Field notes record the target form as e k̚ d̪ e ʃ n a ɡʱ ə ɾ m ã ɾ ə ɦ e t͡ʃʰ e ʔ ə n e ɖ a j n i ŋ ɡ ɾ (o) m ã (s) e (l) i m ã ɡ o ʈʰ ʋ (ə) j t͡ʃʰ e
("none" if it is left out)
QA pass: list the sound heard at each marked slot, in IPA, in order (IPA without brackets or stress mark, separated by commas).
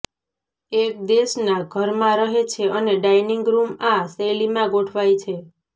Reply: u, s, l, a